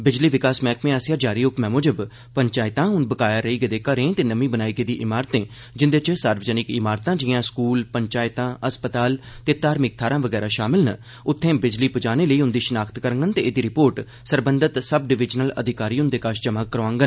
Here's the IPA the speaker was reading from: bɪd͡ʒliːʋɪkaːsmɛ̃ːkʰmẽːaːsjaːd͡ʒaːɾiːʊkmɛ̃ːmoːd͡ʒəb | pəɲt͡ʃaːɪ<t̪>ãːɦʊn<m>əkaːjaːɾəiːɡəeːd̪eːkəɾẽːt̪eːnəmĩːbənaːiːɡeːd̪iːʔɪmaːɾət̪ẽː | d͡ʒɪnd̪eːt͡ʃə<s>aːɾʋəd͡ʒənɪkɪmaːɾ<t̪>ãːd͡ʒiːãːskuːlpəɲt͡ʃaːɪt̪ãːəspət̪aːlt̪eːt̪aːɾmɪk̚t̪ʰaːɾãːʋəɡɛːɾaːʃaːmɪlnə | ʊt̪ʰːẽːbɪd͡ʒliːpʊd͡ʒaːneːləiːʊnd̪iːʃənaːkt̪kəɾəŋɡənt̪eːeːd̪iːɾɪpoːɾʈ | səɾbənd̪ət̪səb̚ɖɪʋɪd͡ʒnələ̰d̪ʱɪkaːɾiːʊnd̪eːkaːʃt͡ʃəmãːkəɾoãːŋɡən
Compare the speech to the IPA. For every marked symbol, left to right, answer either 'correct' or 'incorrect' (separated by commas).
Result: correct, incorrect, correct, correct